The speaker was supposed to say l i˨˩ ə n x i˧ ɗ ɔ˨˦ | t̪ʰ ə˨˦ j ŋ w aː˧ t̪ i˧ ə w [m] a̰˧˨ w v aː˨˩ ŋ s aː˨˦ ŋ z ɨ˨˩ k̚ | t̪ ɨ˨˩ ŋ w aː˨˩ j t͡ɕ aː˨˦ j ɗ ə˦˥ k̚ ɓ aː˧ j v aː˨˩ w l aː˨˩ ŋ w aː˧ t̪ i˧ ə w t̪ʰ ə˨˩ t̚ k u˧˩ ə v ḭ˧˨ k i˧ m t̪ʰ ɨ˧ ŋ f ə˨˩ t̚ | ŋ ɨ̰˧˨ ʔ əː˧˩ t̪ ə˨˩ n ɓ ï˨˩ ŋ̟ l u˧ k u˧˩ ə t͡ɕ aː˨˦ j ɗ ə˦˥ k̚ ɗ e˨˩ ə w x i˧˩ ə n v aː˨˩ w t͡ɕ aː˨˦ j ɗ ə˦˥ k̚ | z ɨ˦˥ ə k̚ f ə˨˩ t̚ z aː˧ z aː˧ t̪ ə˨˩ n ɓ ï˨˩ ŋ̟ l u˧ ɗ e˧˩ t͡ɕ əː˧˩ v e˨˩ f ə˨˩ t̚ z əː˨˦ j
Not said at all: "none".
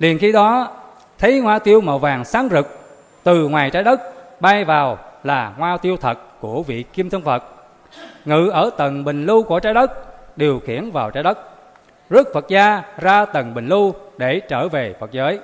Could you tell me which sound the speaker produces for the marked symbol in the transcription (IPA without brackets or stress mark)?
m